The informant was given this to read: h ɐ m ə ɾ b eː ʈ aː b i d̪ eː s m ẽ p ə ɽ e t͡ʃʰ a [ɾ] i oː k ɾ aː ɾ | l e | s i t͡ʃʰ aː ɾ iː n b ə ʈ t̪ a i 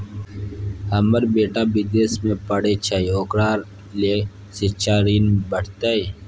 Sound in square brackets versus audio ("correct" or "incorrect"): incorrect